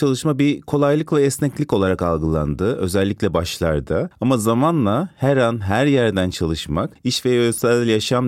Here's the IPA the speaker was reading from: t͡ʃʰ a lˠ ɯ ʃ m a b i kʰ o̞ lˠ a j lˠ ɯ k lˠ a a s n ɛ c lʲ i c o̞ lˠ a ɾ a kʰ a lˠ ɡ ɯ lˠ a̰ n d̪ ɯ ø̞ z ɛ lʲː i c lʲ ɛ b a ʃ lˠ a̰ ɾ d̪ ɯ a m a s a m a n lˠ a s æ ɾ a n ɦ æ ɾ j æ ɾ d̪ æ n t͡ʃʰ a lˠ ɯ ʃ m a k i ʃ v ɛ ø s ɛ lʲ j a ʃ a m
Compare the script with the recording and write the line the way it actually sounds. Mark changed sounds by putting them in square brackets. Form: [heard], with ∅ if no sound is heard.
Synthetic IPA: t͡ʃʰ a lˠ ɯ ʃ m a b i kʰ o̞ lˠ a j lˠ ɯ k lˠ a [ɛ] s n ɛ c lʲ i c o̞ lˠ a ɾ a [k] a lˠ ɡ ɯ lˠ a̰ n d̪ ɯ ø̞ z ɛ lʲː i c lʲ ɛ b a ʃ lˠ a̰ ɾ d̪ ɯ a m a [z] a m a n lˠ a [h] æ ɾ a n ɦ æ ɾ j æ ɾ d̪ æ n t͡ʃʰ a lˠ ɯ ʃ m a k i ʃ v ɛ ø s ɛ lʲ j a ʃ a m